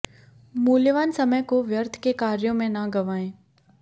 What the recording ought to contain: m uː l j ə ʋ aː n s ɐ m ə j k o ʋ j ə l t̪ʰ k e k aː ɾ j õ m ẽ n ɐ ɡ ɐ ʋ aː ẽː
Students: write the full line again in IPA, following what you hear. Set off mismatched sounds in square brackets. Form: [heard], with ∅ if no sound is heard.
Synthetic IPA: m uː l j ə ʋ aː n s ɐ m ə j k o ʋ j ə [ɾ] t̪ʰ k e k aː ɾ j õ m ẽ n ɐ ɡ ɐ ʋ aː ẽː